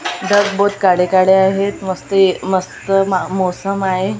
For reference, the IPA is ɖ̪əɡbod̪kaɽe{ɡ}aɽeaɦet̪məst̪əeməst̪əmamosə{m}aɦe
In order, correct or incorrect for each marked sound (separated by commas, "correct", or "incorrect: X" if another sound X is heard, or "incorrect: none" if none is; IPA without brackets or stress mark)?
incorrect: k, correct